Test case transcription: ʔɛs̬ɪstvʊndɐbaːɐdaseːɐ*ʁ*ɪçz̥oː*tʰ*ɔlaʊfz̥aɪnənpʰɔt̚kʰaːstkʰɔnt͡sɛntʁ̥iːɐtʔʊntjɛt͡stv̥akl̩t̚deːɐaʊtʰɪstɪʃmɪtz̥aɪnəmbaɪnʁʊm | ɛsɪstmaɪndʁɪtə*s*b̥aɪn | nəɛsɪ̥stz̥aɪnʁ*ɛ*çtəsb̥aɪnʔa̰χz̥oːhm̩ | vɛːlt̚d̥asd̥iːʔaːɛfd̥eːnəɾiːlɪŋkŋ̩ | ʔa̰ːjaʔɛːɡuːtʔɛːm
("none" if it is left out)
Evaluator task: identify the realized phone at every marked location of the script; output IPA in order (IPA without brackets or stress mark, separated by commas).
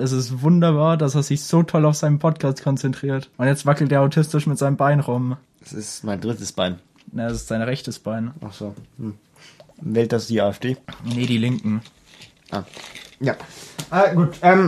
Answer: z, tʰ, s, ɛ